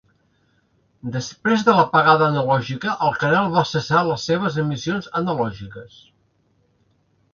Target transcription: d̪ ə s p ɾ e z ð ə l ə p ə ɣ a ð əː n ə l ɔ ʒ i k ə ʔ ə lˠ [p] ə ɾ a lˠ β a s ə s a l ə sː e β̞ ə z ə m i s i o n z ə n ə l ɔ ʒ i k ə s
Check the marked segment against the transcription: incorrect: k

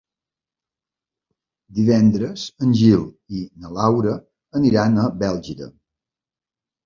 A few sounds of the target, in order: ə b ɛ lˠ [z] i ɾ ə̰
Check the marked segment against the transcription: incorrect: ʒ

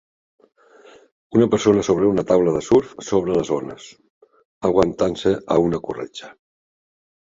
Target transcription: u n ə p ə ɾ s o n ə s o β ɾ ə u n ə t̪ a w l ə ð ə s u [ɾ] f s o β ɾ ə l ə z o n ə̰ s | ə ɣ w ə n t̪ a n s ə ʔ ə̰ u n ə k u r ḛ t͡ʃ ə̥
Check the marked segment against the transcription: correct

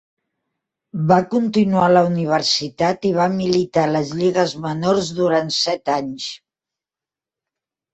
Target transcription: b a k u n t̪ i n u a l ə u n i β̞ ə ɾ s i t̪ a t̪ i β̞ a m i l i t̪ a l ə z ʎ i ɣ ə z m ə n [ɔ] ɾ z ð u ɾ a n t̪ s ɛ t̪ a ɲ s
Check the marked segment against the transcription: incorrect: o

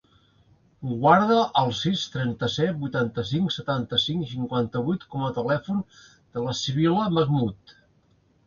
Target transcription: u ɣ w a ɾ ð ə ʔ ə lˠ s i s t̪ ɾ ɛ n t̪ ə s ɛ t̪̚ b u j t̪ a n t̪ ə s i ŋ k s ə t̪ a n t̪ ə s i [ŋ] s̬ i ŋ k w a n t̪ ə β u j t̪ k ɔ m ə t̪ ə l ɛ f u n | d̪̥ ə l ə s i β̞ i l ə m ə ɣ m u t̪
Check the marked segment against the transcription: correct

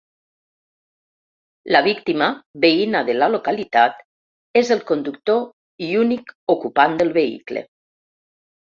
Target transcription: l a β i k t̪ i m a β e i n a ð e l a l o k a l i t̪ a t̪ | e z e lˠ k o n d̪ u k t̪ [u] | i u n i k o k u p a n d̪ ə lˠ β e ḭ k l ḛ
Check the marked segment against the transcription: incorrect: o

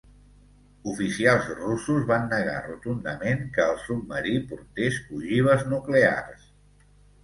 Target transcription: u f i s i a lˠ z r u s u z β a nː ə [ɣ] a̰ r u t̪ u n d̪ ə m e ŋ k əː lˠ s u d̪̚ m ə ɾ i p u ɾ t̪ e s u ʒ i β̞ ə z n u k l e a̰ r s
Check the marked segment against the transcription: correct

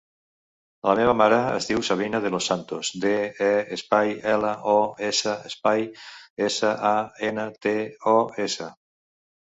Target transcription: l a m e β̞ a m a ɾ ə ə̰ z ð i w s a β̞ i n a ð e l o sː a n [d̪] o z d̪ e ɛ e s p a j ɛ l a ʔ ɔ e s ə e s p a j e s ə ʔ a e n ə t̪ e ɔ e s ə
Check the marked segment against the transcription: incorrect: t̪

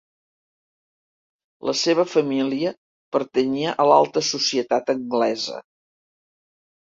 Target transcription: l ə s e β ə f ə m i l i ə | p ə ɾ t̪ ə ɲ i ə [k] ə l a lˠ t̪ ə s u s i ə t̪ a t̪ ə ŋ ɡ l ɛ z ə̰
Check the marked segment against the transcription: incorrect: ʔ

